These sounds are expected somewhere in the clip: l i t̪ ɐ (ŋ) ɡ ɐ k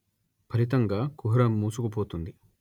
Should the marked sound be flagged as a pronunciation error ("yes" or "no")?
no